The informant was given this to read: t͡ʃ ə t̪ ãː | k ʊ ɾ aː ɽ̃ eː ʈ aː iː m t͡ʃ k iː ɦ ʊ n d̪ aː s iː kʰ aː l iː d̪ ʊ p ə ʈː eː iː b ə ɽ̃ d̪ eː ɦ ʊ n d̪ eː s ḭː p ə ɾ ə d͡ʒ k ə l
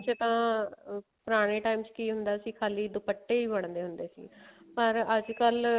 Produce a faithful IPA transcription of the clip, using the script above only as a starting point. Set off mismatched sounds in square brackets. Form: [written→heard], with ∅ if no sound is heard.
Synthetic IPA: t͡ʃ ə t̪ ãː | [k→p] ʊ ɾ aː ɽ̃ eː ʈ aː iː m t͡ʃ k iː ɦ ʊ n d̪ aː s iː kʰ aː l iː d̪ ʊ p ə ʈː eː iː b ə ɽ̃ d̪ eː ɦ ʊ n d̪ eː s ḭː p ə ɾ ə d͡ʒ k ə l